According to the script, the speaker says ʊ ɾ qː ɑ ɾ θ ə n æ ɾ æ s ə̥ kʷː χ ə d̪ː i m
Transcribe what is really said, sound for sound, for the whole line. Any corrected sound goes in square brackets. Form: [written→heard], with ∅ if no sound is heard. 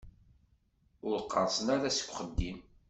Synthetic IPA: ʊ ɾ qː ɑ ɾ [θ→s] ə n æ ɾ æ s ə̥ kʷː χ ə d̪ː i m